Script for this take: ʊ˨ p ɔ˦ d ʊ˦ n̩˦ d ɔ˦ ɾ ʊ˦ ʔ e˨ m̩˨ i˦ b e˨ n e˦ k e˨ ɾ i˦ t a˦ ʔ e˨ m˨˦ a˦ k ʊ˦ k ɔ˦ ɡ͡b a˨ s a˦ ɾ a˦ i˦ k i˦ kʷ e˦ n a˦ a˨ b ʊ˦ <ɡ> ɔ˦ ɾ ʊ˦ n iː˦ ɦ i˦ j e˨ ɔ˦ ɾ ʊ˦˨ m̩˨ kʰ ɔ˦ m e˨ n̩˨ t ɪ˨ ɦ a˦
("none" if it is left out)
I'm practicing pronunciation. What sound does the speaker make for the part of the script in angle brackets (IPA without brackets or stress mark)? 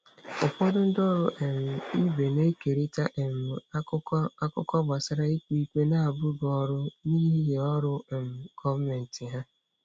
ɡ